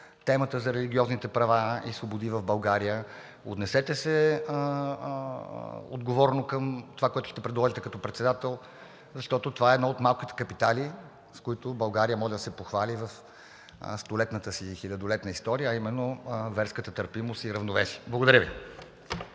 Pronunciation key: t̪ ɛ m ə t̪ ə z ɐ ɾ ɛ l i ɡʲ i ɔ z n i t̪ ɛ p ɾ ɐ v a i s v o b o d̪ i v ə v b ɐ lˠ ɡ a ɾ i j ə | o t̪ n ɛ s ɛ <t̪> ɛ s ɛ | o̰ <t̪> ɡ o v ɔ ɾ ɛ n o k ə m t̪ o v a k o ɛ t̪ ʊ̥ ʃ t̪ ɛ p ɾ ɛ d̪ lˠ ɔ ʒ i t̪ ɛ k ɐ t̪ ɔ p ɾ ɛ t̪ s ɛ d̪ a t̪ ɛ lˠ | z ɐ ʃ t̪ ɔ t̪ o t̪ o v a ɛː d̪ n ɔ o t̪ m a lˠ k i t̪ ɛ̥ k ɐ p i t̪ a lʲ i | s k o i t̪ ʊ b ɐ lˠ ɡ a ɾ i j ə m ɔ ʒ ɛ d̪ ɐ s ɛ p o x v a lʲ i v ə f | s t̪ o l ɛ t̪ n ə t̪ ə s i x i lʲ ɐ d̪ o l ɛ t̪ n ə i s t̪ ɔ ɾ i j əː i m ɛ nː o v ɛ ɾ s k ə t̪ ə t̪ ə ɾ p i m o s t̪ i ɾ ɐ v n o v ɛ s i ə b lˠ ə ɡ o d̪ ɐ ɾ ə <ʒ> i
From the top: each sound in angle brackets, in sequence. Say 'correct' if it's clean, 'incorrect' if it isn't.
correct, incorrect: d̪, incorrect: v

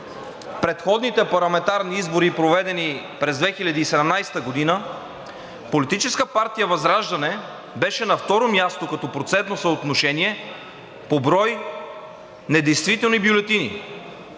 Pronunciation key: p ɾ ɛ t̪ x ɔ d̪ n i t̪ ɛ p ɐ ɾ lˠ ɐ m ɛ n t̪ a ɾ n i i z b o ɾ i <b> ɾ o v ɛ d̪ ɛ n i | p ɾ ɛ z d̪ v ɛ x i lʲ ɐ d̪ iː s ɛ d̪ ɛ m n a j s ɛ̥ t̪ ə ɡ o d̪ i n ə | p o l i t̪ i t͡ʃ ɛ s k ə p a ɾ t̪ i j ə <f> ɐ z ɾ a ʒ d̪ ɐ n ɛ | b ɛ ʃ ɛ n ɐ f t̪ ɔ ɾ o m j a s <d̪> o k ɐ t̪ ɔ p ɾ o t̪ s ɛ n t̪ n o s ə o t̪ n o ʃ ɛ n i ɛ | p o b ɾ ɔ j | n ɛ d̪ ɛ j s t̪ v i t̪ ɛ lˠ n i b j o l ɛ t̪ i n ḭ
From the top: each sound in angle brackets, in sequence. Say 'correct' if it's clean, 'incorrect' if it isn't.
incorrect: p, incorrect: v, incorrect: t̪

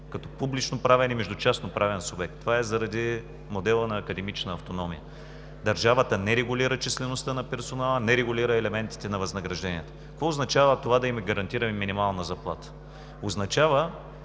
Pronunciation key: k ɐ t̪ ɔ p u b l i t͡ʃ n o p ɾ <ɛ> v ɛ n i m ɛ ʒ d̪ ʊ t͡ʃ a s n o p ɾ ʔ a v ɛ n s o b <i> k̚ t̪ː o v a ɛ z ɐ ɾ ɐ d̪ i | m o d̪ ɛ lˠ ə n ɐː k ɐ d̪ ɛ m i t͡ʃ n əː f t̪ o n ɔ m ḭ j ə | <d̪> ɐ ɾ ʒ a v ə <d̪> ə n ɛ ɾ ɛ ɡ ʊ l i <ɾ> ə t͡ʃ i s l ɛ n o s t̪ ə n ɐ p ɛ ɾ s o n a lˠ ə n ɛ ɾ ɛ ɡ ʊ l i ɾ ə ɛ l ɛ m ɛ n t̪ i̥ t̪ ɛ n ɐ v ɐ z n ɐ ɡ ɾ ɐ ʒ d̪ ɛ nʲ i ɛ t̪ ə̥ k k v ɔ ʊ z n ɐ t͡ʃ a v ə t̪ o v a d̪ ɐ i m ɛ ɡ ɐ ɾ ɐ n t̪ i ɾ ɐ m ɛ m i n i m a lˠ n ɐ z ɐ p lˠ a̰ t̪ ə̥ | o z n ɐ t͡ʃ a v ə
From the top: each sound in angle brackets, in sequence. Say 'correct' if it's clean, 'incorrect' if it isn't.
incorrect: a, incorrect: ɛ, correct, incorrect: t̪, correct

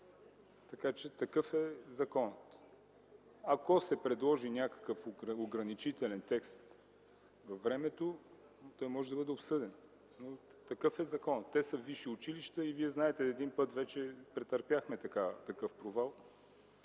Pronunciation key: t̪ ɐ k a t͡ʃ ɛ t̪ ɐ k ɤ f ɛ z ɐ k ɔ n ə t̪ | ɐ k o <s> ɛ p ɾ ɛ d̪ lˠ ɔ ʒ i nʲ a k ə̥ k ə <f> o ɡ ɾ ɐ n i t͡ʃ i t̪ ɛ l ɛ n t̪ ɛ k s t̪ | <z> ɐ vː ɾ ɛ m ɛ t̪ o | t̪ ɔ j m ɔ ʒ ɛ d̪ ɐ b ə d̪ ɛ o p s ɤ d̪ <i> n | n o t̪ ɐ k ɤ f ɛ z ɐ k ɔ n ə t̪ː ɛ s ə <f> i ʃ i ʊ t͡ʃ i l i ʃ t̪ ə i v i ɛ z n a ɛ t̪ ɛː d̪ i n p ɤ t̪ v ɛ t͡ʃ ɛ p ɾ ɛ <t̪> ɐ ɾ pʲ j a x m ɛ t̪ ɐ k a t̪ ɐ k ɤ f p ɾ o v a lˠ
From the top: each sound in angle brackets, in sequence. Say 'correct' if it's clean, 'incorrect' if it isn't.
correct, correct, incorrect: v, incorrect: ɛ, incorrect: v, correct

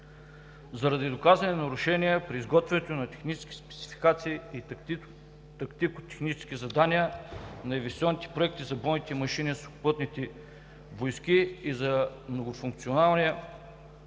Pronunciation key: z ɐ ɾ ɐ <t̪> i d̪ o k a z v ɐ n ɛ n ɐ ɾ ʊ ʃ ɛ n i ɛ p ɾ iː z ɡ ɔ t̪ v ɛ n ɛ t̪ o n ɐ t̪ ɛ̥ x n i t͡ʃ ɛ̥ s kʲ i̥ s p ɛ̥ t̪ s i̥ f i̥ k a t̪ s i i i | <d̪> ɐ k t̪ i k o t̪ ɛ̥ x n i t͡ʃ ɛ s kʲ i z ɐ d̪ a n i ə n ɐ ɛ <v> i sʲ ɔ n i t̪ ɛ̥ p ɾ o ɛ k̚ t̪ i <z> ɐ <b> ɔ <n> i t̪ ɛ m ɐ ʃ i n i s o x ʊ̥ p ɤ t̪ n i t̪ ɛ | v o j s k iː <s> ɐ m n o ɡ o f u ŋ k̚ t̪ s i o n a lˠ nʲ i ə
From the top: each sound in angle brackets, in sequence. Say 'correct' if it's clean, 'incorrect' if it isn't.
incorrect: d̪, incorrect: t̪, correct, correct, correct, correct, incorrect: z

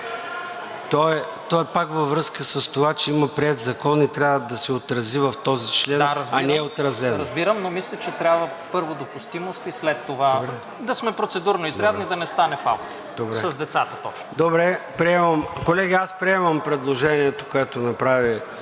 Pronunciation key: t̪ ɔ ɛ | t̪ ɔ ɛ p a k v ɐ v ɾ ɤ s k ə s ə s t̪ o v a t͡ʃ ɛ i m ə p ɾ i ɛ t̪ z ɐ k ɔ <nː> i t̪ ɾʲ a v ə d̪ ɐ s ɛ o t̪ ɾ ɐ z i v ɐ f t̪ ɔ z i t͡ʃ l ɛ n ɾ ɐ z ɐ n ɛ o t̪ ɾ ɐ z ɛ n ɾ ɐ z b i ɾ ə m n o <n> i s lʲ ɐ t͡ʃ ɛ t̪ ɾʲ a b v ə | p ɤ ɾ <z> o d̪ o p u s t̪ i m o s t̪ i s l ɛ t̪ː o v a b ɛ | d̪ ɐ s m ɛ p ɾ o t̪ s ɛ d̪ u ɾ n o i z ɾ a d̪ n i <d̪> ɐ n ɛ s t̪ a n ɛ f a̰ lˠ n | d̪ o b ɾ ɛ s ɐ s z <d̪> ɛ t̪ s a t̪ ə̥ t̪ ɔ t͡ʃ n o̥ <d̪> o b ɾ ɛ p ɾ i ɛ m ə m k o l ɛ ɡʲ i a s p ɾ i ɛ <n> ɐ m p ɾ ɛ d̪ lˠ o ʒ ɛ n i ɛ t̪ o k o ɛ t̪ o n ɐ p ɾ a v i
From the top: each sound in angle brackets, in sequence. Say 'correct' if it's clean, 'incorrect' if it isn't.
incorrect: n, incorrect: m, incorrect: v, correct, correct, correct, incorrect: m

